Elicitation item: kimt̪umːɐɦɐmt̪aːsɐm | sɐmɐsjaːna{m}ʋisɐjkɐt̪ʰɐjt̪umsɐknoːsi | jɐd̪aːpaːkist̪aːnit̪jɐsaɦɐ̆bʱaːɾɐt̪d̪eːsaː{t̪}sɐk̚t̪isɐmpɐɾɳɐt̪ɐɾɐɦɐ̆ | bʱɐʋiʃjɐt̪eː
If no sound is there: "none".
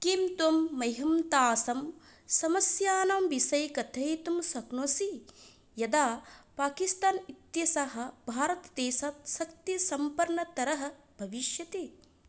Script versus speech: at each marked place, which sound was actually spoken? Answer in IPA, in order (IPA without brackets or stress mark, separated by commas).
m, t̪